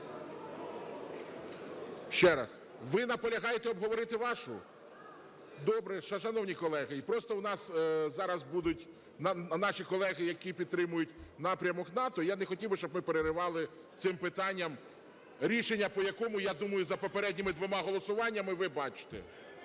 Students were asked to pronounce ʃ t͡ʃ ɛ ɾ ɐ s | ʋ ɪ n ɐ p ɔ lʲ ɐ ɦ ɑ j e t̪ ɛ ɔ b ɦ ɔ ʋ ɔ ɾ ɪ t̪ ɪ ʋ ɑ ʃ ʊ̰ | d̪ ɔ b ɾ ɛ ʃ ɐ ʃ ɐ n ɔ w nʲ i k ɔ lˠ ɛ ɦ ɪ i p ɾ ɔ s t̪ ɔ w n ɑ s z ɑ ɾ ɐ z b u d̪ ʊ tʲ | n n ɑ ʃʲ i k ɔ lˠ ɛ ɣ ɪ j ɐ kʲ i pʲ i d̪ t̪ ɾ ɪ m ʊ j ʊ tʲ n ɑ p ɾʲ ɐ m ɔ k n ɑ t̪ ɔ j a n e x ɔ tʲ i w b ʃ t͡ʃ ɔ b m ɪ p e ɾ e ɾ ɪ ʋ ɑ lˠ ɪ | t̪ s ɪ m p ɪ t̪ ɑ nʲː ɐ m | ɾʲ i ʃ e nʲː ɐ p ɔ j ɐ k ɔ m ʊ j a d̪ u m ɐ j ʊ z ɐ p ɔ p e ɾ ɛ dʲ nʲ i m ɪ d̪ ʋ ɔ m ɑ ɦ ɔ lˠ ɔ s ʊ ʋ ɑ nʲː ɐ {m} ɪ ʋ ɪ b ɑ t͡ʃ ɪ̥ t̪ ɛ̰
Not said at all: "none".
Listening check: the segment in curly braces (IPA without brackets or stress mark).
m